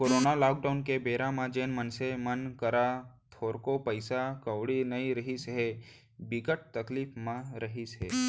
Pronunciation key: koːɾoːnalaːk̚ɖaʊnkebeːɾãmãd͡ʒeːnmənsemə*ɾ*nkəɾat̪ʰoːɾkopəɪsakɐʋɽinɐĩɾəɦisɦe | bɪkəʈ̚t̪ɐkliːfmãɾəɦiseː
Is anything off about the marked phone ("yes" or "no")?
yes